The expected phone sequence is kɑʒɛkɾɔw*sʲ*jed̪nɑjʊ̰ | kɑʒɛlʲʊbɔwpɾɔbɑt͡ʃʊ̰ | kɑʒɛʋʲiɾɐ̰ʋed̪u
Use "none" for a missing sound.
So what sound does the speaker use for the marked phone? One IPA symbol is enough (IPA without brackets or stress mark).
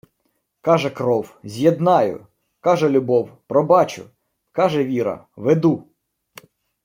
zʲ